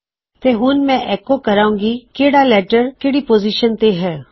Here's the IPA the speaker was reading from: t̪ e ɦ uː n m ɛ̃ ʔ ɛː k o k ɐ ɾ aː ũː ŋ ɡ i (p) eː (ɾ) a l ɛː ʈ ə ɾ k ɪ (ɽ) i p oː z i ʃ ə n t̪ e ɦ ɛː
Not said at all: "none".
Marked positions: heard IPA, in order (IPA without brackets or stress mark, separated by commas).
k, ɽ, ɽ